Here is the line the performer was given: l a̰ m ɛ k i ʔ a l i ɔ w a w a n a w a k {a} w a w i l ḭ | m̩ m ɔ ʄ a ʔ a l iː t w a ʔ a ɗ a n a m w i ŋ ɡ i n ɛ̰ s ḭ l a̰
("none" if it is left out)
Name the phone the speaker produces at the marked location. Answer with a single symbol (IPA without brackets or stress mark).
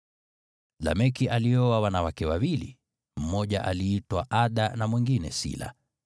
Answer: ɛ